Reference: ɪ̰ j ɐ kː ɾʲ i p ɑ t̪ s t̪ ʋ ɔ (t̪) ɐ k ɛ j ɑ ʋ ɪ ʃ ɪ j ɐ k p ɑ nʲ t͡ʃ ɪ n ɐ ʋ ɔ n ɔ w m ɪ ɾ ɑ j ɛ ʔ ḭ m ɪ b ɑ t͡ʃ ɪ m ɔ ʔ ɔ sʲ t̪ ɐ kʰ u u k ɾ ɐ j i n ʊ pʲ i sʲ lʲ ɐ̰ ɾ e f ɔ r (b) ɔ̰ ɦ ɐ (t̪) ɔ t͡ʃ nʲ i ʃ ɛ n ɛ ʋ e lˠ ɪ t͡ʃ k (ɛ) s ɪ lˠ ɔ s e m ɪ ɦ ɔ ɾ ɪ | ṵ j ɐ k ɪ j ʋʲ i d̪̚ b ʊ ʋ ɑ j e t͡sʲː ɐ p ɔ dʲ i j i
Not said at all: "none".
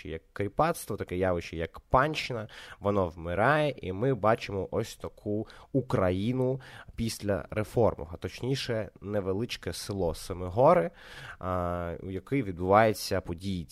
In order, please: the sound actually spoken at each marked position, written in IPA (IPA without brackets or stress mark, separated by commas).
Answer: t̪, m, t̪, ɛ